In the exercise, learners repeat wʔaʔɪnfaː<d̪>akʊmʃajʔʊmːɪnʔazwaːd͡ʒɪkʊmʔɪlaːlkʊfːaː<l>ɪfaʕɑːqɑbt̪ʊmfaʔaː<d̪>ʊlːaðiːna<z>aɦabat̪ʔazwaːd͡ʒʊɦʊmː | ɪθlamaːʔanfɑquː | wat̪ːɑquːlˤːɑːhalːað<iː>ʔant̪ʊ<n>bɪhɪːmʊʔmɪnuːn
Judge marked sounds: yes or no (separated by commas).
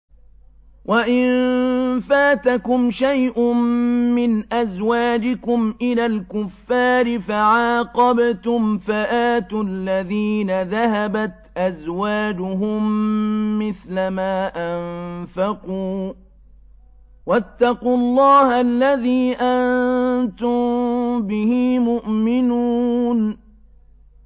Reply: no, no, no, no, yes, no